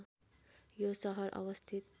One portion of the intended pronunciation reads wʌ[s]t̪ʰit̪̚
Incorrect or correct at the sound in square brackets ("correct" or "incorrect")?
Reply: correct